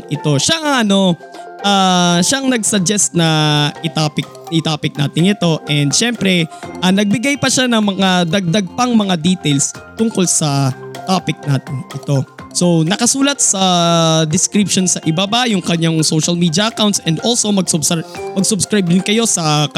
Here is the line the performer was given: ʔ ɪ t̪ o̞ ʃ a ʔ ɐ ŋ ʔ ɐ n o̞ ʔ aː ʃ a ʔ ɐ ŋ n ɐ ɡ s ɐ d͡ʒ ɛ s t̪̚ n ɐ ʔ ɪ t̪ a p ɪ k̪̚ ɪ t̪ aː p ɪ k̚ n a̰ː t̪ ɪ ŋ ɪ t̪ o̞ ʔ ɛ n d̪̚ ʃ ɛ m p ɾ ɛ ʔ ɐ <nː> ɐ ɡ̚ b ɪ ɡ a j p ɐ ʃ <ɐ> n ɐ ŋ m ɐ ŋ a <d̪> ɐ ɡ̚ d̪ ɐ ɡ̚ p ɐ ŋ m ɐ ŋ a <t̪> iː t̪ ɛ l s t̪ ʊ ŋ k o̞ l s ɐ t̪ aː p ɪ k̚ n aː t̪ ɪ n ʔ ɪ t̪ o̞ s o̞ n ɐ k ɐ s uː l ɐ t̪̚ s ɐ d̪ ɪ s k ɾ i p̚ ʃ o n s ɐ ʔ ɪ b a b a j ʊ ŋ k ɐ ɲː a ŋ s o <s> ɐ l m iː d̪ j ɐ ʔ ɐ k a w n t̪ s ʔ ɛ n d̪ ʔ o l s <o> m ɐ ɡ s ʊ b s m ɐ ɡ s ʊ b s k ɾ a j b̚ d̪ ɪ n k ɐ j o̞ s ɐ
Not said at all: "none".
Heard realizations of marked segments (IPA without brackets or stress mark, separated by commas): n, a, d̪, d̪, ʃ, o